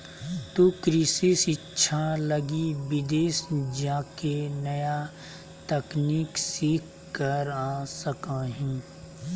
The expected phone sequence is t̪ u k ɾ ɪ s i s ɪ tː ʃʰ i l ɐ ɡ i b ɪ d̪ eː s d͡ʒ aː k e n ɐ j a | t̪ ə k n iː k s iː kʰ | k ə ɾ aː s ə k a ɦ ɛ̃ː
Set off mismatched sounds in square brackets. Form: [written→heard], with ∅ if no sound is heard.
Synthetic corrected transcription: t̪ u k ɾ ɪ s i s ɪ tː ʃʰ [i→a] l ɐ ɡ i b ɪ d̪ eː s d͡ʒ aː k e n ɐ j a | t̪ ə k n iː k s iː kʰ | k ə ɾ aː s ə k a ɦ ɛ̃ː